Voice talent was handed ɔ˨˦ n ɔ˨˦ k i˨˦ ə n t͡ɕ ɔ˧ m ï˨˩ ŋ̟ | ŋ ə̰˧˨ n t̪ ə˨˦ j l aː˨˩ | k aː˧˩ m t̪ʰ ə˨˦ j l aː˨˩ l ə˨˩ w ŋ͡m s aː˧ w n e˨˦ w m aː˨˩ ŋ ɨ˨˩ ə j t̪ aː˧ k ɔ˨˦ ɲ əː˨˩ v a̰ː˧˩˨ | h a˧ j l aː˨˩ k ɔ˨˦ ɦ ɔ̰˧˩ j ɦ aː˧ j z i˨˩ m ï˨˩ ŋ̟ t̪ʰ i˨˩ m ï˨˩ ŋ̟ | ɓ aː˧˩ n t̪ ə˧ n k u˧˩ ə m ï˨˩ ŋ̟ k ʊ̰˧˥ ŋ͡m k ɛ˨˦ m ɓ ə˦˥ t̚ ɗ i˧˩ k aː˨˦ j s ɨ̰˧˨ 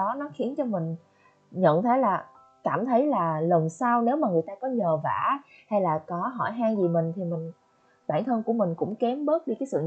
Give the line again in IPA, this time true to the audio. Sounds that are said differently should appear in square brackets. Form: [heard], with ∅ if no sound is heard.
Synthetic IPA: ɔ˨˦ n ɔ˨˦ [x] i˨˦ ə n t͡ɕ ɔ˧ m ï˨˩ ŋ̟ | [ɲ] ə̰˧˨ n [t̪ʰ] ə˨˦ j l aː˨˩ | k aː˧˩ m t̪ʰ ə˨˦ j l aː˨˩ l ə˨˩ w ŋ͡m s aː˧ w n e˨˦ w m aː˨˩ ŋ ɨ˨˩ ə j t̪ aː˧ k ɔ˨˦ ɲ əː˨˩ v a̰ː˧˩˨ | h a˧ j l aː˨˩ k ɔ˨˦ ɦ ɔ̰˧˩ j ɦ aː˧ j z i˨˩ m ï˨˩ ŋ̟ t̪ʰ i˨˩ m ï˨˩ ŋ̟ | ɓ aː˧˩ n [t̪ʰ] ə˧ n k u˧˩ ə m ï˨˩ ŋ̟ k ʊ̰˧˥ ŋ͡m k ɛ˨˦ m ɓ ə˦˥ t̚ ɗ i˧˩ k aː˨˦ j s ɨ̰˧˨